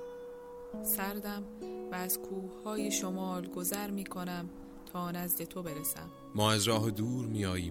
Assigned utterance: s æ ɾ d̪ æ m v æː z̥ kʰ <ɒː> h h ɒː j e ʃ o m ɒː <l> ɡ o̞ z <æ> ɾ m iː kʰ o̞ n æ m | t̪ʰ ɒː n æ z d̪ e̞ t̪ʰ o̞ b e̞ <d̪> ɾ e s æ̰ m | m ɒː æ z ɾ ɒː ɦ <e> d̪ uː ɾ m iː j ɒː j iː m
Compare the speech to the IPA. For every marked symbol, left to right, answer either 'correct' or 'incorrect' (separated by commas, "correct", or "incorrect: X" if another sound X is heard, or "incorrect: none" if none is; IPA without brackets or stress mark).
incorrect: uː, correct, correct, incorrect: none, correct